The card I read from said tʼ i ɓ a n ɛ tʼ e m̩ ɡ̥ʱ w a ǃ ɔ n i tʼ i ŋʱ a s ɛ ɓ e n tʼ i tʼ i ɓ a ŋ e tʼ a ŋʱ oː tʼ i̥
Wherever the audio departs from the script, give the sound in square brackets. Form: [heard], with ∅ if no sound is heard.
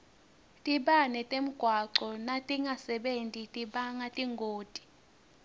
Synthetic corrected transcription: tʼ i ɓ a n ɛ tʼ e m̩ ɡ̥ʱ w a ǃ ɔ n [a] tʼ i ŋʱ a s ɛ ɓ e n tʼ i tʼ i ɓ a ŋ [a] tʼ [i] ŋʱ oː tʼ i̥